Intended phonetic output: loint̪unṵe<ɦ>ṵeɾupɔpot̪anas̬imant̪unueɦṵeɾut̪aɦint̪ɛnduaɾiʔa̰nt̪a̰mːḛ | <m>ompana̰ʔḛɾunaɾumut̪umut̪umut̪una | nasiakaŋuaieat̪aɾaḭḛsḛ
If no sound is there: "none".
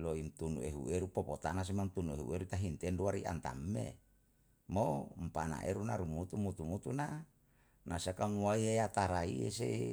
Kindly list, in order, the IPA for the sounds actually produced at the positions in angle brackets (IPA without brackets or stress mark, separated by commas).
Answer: ɦ, m